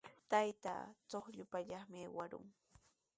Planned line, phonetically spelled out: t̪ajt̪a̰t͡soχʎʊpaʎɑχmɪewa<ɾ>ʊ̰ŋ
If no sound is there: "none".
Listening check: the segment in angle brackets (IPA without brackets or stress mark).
ɾ